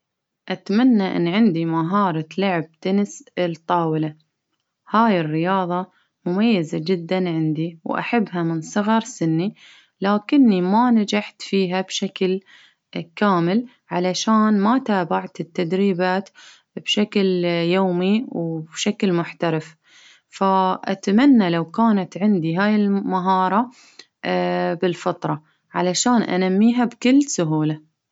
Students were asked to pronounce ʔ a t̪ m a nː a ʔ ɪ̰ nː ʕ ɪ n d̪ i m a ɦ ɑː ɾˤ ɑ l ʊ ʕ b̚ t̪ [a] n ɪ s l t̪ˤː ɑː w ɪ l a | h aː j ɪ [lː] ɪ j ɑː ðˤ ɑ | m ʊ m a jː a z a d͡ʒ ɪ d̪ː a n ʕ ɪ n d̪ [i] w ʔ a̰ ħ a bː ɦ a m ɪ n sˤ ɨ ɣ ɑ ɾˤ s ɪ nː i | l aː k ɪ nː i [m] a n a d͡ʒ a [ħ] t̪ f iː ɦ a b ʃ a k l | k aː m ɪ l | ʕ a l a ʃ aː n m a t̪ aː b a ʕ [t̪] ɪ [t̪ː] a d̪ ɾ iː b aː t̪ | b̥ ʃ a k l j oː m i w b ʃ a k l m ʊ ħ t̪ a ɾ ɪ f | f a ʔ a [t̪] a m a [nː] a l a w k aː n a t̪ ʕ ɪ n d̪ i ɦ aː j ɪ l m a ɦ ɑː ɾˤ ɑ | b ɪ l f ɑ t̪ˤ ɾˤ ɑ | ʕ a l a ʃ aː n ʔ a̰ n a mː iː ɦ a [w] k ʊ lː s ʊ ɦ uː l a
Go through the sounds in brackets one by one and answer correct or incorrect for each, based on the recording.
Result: correct, incorrect, correct, correct, correct, correct, correct, correct, correct, incorrect

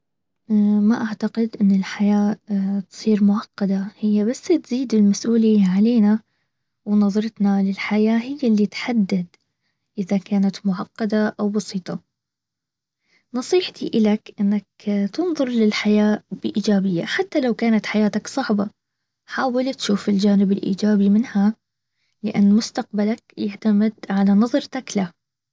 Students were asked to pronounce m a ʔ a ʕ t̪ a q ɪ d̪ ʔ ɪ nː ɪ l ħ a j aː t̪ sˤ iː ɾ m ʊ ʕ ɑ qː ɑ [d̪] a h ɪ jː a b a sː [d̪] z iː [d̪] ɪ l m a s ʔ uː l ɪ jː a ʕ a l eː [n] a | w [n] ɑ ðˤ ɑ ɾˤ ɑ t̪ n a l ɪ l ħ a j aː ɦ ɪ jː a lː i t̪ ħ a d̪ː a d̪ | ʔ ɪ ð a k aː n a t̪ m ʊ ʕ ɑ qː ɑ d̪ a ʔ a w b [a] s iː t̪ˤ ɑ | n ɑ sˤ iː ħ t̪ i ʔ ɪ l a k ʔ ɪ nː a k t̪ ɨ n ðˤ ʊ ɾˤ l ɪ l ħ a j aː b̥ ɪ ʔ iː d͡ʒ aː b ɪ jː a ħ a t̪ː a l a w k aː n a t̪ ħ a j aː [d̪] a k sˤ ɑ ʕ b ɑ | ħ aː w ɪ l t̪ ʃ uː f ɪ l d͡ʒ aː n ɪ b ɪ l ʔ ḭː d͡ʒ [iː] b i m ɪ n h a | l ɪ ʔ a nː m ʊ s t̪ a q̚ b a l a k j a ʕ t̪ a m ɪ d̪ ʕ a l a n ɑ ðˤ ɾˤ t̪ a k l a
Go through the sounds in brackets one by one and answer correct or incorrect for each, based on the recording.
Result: correct, incorrect, correct, correct, correct, incorrect, incorrect, incorrect

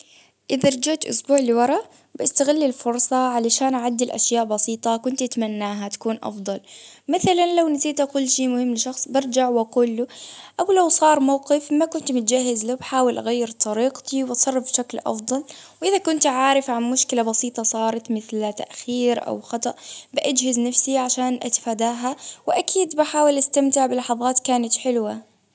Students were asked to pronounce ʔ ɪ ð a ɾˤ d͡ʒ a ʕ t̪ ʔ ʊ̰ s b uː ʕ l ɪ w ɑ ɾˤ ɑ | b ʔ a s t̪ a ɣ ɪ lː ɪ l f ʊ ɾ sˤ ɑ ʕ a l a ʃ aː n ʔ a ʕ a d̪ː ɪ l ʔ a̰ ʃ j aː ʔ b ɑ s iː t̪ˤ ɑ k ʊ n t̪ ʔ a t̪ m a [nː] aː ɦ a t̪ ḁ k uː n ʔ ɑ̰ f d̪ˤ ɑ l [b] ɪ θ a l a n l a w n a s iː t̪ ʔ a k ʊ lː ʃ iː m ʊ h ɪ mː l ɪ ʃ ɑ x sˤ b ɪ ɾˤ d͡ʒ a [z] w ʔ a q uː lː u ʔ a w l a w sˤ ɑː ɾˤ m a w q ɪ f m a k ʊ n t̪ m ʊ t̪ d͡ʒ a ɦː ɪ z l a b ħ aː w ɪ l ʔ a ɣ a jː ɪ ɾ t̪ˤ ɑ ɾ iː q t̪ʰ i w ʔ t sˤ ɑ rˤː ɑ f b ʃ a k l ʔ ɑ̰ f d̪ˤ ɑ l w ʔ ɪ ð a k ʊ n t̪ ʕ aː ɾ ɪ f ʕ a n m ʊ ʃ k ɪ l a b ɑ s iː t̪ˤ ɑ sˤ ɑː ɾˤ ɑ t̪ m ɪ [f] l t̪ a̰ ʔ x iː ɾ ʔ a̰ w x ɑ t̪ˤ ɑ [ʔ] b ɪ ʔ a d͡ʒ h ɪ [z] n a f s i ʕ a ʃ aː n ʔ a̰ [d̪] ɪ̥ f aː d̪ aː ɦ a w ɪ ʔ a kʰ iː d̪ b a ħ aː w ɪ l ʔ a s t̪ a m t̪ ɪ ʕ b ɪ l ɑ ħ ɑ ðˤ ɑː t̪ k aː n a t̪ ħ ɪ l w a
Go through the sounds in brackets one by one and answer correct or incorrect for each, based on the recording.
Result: correct, incorrect, incorrect, incorrect, correct, correct, incorrect

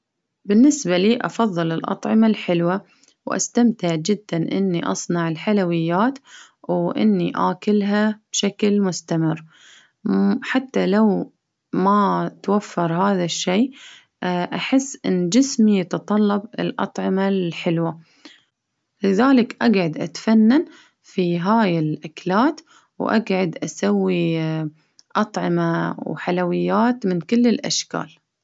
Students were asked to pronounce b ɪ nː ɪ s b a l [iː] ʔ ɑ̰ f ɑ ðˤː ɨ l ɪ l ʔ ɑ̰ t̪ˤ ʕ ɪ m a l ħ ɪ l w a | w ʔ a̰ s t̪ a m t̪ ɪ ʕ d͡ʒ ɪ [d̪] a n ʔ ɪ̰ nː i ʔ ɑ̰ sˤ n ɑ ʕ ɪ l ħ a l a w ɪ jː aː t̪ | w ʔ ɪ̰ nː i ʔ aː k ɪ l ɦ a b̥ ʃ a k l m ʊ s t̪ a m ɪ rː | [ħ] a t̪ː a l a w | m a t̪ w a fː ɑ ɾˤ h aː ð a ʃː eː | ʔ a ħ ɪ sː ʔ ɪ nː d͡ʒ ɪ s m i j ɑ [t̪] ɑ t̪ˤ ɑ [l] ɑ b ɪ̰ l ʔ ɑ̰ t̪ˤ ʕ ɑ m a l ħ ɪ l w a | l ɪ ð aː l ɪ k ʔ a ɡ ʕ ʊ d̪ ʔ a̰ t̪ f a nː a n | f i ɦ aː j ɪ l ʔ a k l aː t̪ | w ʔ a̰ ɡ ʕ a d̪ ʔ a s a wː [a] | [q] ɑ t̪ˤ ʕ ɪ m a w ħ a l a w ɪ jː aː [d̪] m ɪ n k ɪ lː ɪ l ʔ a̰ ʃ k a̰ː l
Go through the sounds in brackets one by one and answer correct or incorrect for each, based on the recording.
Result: correct, incorrect, correct, correct, incorrect, incorrect, incorrect, incorrect

